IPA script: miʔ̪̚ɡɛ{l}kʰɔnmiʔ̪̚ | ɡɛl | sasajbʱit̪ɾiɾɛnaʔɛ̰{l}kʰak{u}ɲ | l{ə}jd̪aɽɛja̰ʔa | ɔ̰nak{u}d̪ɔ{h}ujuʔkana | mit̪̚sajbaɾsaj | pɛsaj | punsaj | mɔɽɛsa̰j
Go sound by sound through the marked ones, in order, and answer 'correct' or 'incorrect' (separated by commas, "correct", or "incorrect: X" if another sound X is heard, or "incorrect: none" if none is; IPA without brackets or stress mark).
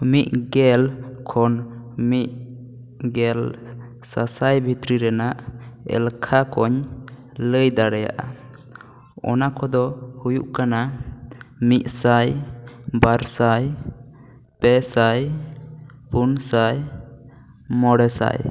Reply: correct, correct, incorrect: ɔ, correct, incorrect: ɔ, correct